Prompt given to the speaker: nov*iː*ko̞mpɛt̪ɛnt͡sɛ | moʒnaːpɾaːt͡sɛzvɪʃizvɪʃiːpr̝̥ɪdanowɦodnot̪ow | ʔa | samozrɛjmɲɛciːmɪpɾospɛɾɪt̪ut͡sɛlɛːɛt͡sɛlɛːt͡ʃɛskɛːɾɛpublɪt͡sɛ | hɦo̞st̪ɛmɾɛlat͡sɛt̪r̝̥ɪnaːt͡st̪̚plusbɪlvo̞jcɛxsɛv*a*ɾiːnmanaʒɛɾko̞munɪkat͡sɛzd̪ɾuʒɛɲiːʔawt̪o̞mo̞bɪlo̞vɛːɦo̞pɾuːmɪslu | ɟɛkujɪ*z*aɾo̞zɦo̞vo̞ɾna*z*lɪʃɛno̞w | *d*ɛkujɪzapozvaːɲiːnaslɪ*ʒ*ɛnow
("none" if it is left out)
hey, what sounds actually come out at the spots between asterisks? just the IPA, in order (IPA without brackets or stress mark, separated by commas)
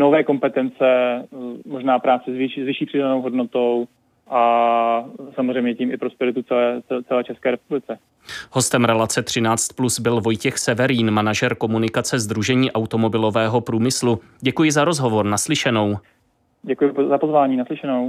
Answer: ɛː, ɛ, z, s, ɟ, ʃ